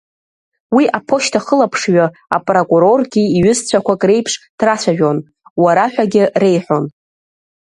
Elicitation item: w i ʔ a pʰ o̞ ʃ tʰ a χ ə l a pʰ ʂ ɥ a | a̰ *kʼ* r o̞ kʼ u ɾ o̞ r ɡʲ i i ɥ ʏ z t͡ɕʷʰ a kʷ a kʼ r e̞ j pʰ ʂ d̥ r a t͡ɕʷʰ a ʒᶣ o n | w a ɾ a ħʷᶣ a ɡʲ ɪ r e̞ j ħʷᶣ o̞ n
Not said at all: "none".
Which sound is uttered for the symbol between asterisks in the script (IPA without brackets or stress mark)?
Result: pʼ